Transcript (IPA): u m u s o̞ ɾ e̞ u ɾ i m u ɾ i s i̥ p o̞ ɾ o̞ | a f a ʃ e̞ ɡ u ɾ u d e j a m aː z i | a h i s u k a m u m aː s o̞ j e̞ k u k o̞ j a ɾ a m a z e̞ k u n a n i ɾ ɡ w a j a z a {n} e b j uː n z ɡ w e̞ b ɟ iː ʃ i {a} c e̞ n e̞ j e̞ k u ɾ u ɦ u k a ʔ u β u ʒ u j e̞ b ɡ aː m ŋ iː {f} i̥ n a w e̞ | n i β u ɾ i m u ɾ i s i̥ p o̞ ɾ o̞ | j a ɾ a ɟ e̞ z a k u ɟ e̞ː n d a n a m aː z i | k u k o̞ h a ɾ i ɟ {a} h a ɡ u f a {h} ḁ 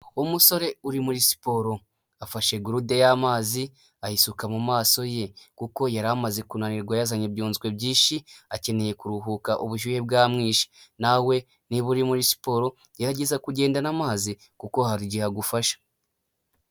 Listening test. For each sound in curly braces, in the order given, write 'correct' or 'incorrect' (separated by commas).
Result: incorrect, correct, incorrect, incorrect, incorrect